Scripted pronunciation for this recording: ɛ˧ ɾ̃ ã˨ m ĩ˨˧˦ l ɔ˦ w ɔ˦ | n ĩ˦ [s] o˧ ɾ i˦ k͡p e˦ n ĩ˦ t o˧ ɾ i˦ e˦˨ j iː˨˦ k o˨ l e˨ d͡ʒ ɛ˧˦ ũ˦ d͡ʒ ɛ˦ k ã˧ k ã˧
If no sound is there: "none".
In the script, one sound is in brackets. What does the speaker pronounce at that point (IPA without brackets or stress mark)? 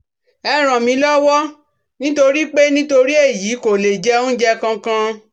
t